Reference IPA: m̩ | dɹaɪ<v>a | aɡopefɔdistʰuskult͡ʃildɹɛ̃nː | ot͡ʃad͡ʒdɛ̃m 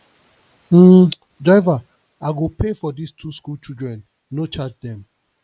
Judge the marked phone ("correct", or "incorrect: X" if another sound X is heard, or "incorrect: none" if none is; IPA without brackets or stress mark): correct